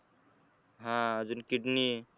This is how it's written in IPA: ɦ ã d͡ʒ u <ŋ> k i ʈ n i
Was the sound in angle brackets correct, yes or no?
no